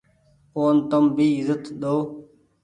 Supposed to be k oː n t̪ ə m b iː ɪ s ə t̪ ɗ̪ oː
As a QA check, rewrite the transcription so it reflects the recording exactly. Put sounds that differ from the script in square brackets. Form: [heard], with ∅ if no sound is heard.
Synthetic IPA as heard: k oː n t̪ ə m b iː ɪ [z] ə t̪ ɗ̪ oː